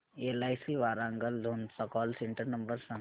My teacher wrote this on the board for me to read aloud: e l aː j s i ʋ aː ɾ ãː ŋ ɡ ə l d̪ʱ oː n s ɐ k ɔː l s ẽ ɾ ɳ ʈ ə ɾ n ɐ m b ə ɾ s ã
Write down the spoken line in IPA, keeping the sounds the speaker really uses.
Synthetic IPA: e l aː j s i ʋ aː ɾ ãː ŋ ɡ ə l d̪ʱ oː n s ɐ k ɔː l s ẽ ɳ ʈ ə ɾ n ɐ m b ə ɾ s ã